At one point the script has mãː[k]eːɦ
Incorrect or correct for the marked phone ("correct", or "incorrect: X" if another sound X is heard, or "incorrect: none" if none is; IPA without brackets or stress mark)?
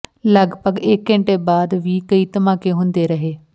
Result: correct